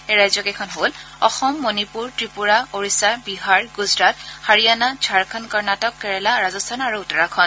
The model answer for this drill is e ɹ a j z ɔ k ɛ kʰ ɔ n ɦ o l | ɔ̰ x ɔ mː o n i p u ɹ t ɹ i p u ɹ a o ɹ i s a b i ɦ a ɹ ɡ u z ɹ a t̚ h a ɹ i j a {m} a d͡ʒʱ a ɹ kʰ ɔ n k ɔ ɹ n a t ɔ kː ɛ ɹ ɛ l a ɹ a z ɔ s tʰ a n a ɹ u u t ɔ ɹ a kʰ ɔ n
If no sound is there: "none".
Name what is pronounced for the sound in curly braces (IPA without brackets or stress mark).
n